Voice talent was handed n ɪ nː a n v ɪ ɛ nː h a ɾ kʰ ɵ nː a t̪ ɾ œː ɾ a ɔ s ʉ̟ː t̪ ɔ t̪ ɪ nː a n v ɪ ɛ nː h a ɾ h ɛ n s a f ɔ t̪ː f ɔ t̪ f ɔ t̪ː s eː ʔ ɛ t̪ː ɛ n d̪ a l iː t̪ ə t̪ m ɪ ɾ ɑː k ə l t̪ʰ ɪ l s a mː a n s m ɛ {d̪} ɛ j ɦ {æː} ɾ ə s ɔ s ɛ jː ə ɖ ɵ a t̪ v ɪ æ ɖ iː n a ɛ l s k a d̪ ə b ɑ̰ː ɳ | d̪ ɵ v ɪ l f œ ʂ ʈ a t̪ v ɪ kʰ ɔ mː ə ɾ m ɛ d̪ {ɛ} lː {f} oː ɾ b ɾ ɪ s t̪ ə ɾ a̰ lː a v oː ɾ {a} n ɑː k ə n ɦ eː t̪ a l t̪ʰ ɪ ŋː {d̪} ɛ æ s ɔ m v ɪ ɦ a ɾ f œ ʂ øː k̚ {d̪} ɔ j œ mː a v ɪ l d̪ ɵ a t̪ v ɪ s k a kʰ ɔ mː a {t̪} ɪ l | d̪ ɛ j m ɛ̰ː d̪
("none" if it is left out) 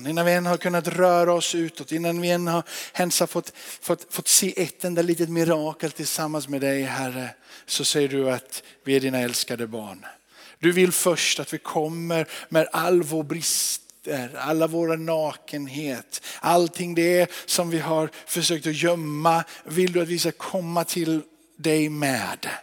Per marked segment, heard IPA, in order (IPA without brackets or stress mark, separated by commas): d̪, æ, a, v, a, d̪, t̪, t̪ʰ